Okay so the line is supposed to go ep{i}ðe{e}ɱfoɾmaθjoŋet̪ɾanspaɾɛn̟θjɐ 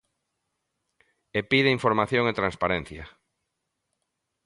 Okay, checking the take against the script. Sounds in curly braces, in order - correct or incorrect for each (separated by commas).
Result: correct, incorrect